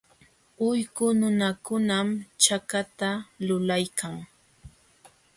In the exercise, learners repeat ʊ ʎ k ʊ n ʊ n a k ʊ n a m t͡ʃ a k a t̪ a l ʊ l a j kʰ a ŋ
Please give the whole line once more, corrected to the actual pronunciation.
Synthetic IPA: ʊ j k ʊ n ʊ n a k ʊ n a m t͡ʃ a k a t̪ a l ʊ l a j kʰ a ŋ